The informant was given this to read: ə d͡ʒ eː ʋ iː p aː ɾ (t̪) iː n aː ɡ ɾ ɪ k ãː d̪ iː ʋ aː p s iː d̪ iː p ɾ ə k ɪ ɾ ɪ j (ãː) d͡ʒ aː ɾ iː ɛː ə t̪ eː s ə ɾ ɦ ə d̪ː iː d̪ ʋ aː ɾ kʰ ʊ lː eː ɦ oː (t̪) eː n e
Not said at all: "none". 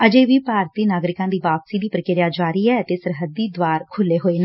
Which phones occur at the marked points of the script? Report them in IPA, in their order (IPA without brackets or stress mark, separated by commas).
t̪, aː, none